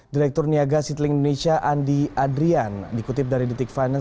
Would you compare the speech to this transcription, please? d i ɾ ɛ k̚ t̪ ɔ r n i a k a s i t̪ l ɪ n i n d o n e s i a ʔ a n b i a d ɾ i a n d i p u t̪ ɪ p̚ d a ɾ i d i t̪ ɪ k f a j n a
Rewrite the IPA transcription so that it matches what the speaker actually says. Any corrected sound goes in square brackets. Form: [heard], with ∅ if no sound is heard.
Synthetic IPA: d i ɾ ɛ k̚ t̪ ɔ r n i a [ɡ] a s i t̪ l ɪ [ŋ] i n d o n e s i a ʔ a n [d] i a d ɾ i a n d i [k] u t̪ ɪ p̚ d a ɾ i d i t̪ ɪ k f a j n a